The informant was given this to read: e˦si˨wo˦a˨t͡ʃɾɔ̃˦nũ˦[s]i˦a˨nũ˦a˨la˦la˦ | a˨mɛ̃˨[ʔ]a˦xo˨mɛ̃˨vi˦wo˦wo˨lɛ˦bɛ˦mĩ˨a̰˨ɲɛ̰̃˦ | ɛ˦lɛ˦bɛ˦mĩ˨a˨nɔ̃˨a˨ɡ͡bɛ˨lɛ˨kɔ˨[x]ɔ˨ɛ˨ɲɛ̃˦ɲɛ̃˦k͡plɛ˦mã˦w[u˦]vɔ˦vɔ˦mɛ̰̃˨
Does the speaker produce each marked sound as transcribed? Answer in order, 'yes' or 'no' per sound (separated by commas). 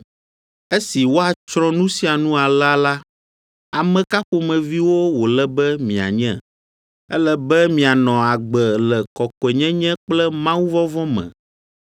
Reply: yes, no, no, yes